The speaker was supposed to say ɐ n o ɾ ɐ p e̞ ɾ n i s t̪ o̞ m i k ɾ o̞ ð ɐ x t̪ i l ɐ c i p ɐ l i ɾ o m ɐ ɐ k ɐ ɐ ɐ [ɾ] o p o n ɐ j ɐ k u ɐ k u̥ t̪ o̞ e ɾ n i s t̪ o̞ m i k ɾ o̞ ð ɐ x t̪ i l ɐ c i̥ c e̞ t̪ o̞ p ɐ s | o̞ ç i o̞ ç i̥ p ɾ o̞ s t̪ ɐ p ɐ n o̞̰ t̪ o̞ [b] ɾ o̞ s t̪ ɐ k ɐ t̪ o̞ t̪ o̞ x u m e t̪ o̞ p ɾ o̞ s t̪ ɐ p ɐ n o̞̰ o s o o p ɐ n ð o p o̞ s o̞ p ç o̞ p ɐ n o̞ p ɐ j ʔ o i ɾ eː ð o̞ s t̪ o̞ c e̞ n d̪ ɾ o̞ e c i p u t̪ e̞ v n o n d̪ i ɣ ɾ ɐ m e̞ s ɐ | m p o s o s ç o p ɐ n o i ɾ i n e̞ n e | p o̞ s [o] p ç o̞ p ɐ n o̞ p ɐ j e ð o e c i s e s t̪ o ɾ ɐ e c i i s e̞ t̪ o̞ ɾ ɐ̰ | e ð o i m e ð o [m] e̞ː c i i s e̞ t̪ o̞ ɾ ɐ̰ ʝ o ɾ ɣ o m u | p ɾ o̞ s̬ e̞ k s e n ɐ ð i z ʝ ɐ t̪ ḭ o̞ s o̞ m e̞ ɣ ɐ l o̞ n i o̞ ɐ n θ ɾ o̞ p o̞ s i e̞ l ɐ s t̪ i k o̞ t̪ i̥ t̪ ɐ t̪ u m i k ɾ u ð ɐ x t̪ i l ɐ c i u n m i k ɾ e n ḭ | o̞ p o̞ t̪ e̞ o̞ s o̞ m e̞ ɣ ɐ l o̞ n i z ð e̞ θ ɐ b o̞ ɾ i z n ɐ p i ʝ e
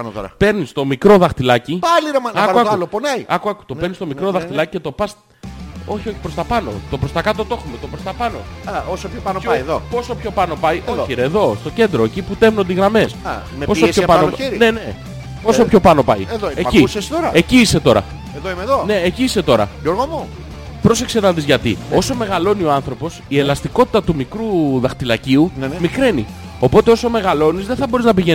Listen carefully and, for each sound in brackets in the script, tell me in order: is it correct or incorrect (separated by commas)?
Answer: incorrect, incorrect, correct, incorrect